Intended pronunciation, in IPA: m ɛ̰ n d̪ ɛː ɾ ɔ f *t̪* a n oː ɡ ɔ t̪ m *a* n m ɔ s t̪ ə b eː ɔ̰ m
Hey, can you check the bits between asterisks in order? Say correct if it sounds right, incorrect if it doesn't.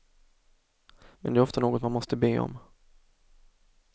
correct, correct

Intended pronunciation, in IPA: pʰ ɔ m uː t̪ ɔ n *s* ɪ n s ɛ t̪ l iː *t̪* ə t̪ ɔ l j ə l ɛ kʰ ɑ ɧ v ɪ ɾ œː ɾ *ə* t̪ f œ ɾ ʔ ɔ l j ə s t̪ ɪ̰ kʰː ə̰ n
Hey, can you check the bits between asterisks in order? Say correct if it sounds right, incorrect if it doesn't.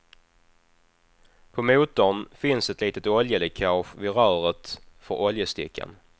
incorrect: f, correct, correct

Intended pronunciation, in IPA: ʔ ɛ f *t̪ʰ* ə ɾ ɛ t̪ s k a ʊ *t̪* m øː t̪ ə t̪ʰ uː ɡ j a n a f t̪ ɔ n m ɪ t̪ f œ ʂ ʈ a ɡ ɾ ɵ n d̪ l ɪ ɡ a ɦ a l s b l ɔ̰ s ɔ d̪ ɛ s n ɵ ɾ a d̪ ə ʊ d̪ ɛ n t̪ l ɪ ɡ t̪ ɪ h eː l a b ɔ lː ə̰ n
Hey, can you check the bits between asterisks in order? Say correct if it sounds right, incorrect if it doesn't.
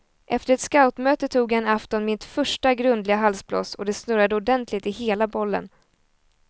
incorrect: t̪, correct

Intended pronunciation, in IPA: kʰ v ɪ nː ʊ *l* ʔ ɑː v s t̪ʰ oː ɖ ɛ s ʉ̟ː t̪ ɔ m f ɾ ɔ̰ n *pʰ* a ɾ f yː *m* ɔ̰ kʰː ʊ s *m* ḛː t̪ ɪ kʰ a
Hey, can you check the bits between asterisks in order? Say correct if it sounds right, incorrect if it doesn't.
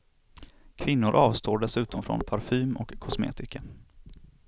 incorrect: ɾ, correct, correct, correct

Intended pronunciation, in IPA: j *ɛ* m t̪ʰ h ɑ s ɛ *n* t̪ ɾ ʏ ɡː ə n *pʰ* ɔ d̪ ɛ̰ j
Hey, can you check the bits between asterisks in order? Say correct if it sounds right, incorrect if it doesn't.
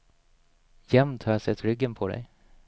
correct, incorrect: none, correct

